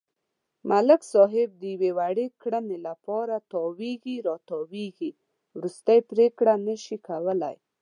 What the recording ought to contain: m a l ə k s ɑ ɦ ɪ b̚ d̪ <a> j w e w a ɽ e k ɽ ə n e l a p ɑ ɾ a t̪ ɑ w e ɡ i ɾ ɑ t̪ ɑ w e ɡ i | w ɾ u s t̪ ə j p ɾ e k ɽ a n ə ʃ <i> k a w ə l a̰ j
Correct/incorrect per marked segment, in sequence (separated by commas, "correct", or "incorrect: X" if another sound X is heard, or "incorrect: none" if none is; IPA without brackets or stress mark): incorrect: ə, correct